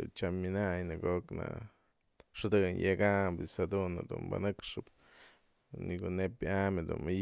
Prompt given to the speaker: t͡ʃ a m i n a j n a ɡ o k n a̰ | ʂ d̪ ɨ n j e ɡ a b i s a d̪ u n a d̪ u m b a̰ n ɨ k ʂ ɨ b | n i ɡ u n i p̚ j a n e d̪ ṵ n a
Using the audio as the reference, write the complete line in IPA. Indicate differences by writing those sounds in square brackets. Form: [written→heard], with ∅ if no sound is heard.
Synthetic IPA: t͡ʃ a m i n a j n a ɡ o k n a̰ | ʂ d̪ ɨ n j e ɡ a b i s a d̪ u n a d̪ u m b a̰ n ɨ k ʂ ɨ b | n i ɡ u n [i→e] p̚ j a [n→m] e d̪ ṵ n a

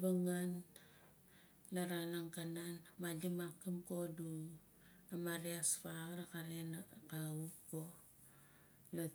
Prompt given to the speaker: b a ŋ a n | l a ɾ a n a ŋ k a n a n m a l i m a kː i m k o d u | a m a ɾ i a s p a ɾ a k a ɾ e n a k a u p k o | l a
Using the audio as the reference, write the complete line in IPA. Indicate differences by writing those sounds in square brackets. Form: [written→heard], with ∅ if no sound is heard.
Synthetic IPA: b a ŋ a n | l a ɾ a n a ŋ k a n a n m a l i m a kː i m k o d u | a m a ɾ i a s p a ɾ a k a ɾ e n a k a u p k o | l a

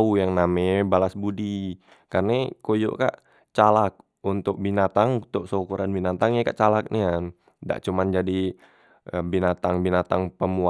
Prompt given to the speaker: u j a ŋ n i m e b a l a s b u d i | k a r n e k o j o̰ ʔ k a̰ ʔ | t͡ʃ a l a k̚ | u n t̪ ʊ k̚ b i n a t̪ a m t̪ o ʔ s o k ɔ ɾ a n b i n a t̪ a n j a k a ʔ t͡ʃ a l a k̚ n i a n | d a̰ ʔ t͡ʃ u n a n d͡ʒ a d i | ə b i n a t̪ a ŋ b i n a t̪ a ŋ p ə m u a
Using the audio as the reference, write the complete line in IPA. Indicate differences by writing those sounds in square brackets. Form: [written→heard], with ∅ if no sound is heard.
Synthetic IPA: u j a ŋ n [i→a] m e b a l a s b u d i | k a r n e k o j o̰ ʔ k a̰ ʔ | t͡ʃ a l a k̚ | u n t̪ ʊ k̚ b i n a t̪ a [m→ŋ] t̪ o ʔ s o k [ɔ→u] ɾ a n b i n a t̪ a [n→ŋ] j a k a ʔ t͡ʃ a l a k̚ n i a n | d a̰ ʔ t͡ʃ u [n→m] a n d͡ʒ a d i | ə b i n a t̪ a ŋ b i n a t̪ a ŋ p ə m u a

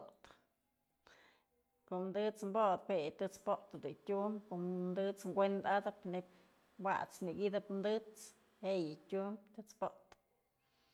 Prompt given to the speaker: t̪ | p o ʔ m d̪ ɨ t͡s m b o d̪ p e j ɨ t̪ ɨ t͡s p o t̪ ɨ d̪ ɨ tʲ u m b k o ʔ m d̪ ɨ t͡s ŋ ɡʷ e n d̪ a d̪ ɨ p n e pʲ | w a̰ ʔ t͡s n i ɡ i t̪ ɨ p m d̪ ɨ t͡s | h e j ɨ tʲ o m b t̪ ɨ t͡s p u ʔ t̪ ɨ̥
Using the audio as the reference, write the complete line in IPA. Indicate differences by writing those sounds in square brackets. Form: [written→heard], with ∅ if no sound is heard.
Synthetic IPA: t̪ | [p→k] o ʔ m d̪ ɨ t͡s m b o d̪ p e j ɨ t̪ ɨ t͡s p o t̪ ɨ d̪ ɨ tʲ u m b k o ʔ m d̪ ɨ t͡s ŋ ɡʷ e n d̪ a d̪ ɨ p n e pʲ | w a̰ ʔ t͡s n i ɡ i [t̪→d̪] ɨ p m d̪ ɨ t͡s | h e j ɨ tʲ [o→u] m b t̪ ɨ t͡s p [u→o] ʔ t̪ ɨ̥

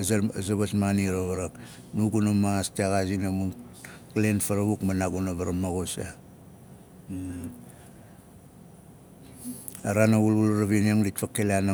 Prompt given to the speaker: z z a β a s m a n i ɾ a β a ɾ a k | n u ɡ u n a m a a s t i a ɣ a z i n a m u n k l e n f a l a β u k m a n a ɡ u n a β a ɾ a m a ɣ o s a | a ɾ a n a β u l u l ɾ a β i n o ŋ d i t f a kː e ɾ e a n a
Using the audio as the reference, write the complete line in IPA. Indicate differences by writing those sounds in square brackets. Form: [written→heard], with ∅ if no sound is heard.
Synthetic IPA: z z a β a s m a n i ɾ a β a ɾ a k | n u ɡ u n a m a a s t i a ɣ a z i n a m u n k l e n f a [l→ɾ] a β u k m a n a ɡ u n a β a ɾ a m a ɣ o s a | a ɾ a n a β u l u l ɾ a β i n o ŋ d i t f a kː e [ɾ→l] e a n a

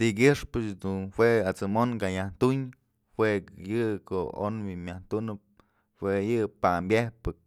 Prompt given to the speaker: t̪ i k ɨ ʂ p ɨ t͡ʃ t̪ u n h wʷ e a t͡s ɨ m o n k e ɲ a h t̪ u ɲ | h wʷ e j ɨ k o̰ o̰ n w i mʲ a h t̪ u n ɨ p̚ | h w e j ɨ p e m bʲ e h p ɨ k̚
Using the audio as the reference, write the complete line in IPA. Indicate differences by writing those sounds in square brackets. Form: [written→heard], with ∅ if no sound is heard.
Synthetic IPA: t̪ i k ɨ ʂ p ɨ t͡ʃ [t̪→d̪] u n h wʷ e a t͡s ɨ m o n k [e→a] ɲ a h t̪ u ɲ | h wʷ e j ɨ k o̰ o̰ n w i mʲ a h t̪ u n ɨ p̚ | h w e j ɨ p [e→a] m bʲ e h p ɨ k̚

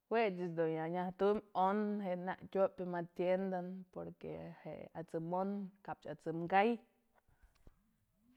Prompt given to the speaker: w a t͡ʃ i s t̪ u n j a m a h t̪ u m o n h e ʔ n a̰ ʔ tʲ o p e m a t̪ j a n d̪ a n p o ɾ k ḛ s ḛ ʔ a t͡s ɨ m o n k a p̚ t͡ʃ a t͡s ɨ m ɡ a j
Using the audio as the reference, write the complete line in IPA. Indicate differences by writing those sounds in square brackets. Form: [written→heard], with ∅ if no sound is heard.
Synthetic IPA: w [a→e] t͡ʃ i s [t̪→d̪] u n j a [m→ɲ] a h t̪ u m o n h e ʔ n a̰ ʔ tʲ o p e m a t̪ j [a→e] n d̪ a n p o ɾ k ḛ [s→h] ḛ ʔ a t͡s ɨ m o n k a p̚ t͡ʃ a t͡s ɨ m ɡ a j

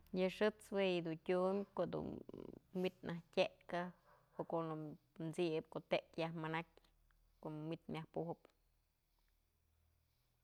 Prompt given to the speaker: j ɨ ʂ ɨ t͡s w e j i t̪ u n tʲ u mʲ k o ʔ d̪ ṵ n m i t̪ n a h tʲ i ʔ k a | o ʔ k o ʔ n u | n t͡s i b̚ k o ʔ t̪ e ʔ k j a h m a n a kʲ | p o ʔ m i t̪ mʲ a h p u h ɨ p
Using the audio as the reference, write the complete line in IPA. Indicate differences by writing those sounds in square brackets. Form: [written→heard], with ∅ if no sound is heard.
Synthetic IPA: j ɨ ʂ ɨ t͡s w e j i [t̪→d̪] u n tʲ u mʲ k o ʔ d̪ ṵ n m i t̪ n a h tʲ [i→e] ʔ k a | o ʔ k o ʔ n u | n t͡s i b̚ k o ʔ t̪ e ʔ k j a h m a n a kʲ | [p→k] o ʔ m i t̪ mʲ a h p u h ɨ p

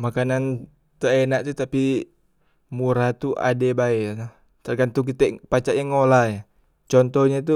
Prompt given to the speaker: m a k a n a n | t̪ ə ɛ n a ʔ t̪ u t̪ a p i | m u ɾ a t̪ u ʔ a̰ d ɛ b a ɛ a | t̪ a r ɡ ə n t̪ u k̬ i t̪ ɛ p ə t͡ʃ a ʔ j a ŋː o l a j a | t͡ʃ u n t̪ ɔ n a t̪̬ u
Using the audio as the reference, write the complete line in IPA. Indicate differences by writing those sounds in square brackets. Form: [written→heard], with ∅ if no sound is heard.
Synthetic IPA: m a k a n a n | t̪ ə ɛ n a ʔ t̪ u t̪ a p i | m u ɾ a t̪ u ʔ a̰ d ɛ b a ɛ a | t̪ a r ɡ [ə→a] n t̪ u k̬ i t̪ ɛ p [ə→a] t͡ʃ a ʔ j a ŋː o l a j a | t͡ʃ [u→ɔ] n t̪ ɔ [n→ɲ] a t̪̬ u

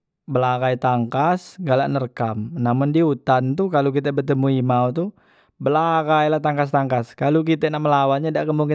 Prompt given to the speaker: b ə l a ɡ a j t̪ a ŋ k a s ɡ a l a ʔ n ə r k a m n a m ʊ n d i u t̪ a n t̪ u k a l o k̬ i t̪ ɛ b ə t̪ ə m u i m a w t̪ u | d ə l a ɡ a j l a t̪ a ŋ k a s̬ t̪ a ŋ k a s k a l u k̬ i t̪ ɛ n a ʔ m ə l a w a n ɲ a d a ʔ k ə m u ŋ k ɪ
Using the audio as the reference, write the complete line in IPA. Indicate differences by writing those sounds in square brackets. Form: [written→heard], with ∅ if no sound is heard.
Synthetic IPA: b ə l a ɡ a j t̪ a ŋ k a s ɡ a l a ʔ n ə r k a m n a m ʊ n d i u t̪ a n t̪ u k a l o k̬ i t̪ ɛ b ə t̪ ə m u i m a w t̪ u | [d→b] ə l a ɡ a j l a t̪ a ŋ k a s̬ t̪ a ŋ k a s k a l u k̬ i t̪ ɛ n a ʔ m ə l a w a n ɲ a d a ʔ k ə m u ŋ k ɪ

